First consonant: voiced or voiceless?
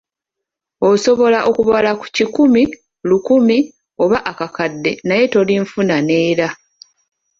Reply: voiceless